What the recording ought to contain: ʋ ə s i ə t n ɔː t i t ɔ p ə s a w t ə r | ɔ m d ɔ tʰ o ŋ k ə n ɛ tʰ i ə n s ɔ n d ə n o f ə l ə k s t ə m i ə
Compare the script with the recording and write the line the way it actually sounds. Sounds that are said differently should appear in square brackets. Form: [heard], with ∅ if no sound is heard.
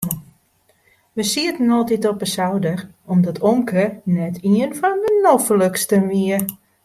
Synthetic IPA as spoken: ʋ ə s i ə t n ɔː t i t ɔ p ə s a w [d] ə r | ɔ m d ɔ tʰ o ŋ k ə n ɛ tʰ i ə n [f] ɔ n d ə n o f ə l ə k s t ə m i ə